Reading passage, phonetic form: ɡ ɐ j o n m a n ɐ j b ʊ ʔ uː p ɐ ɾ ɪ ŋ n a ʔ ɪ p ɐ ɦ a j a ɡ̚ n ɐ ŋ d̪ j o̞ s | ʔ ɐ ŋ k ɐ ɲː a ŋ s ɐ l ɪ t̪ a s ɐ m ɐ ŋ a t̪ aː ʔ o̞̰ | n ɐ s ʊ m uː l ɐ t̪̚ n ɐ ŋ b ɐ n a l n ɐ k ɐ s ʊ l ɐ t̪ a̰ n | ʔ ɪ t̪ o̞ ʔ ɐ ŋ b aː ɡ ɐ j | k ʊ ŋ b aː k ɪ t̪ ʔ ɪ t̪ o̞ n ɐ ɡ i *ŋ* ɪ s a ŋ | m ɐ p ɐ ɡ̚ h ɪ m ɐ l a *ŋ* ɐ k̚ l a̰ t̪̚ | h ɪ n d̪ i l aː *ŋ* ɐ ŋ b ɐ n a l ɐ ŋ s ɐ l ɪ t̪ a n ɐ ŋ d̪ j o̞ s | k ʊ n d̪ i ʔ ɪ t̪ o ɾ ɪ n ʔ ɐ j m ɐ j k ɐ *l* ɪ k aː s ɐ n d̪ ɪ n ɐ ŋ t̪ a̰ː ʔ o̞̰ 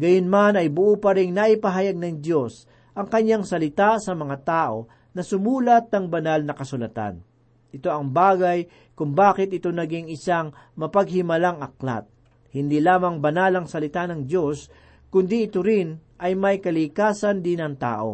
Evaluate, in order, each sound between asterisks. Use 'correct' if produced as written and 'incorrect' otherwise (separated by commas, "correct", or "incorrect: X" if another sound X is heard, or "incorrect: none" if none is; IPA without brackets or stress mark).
correct, correct, incorrect: m, correct